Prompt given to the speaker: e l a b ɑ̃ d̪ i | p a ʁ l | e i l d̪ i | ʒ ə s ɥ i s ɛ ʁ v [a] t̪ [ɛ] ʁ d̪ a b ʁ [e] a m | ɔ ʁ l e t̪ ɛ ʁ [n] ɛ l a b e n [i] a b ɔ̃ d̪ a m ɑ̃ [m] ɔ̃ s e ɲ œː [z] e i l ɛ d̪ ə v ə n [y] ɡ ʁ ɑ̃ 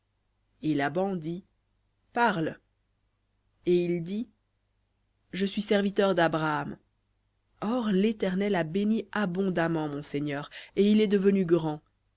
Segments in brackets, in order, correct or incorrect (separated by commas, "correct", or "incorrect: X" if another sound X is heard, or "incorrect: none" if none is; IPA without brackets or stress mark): incorrect: i, incorrect: œ, incorrect: a, correct, correct, correct, incorrect: ʁ, correct